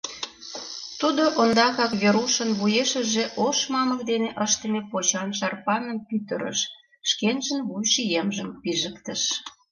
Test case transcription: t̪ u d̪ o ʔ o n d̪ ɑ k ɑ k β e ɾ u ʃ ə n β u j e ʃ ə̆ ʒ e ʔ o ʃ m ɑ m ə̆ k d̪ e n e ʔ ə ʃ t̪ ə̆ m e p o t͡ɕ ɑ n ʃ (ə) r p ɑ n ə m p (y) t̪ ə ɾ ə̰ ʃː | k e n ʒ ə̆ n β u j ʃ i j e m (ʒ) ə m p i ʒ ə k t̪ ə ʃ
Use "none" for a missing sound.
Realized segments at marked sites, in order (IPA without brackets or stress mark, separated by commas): ɑ, y, ʒ